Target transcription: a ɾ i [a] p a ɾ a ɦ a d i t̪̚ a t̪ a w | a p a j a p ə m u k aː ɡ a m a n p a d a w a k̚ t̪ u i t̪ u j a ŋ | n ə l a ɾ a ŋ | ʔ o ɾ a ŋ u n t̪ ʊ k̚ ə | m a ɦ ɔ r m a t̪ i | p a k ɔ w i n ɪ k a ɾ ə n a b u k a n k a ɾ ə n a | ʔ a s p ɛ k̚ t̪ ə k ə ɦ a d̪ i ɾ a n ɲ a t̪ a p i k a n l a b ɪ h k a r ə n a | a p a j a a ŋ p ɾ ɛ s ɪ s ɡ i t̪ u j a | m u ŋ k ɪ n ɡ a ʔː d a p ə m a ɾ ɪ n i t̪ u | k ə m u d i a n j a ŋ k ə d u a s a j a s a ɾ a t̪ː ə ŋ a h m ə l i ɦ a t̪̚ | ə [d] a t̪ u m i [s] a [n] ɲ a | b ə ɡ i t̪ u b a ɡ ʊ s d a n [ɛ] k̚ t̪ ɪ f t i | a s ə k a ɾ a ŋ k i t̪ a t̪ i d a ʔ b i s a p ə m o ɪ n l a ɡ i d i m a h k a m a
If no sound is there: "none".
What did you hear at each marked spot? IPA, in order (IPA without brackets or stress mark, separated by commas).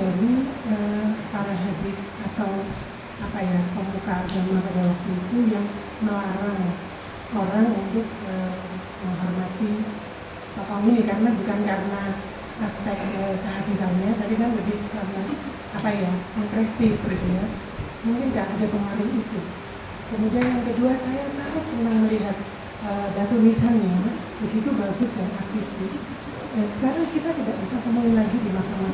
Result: ə, d, s, n, a